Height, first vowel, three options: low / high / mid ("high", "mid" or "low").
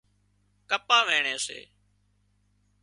mid